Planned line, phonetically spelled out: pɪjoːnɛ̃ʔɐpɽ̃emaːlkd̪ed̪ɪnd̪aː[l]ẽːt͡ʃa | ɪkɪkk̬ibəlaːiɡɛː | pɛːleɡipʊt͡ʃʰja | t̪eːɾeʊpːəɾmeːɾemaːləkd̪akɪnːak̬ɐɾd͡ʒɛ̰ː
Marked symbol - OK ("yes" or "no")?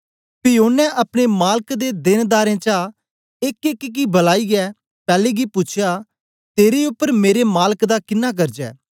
no